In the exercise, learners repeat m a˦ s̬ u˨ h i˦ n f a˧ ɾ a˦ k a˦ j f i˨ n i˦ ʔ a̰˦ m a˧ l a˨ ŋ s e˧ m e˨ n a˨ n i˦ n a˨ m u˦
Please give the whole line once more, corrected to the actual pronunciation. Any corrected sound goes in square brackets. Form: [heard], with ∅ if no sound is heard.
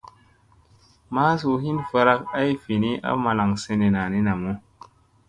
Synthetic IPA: m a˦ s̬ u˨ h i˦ n f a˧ ɾ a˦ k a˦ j f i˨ n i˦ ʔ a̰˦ m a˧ l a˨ ŋ s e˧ [n] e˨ n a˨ n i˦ n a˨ m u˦